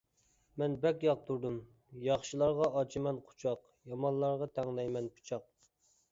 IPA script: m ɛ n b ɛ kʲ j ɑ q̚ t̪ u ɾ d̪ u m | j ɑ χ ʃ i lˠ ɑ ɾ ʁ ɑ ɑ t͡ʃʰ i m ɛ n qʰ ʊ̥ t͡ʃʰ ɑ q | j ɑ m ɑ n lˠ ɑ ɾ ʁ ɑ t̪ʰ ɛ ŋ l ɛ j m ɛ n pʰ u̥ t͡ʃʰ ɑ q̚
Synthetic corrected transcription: m ɛ n b ɛ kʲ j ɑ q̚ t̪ u ɾ d̪ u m | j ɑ χ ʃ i lˠ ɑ ɾ ʁ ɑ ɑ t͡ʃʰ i m ɛ n qʰ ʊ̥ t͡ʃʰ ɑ q | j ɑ m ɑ n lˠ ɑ ɾ ʁ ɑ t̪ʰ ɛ ŋ l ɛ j m ɛ n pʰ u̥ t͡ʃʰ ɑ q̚